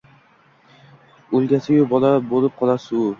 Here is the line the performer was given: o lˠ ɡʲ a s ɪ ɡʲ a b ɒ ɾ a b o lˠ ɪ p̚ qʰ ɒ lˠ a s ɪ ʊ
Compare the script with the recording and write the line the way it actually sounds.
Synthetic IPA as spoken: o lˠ ɡʲ a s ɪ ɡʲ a b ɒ l a b o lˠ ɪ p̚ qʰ ɒ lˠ a s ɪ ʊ